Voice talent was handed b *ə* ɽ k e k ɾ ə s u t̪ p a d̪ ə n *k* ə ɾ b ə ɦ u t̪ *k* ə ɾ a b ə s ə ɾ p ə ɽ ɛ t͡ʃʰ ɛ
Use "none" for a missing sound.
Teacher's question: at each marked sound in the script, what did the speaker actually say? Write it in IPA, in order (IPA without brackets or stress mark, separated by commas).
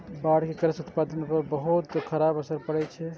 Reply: a, p, kʰ